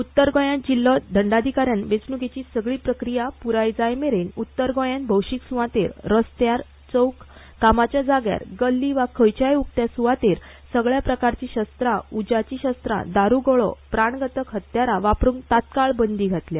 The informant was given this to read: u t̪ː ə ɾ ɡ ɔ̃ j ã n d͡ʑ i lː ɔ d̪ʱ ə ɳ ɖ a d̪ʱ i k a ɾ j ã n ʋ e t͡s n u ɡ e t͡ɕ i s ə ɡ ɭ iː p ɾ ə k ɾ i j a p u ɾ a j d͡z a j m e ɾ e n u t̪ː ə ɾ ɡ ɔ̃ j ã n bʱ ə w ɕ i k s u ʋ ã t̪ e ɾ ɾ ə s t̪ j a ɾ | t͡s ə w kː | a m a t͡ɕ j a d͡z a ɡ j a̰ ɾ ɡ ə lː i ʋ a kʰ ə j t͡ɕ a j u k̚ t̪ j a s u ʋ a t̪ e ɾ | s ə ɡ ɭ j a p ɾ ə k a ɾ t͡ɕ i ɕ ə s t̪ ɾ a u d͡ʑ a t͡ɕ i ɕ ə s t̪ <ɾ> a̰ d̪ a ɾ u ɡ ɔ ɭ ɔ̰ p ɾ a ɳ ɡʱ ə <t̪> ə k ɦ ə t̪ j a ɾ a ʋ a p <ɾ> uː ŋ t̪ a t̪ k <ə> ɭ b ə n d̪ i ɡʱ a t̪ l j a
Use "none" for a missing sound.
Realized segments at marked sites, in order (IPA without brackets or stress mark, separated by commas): ɾ, t̪, ɾ, a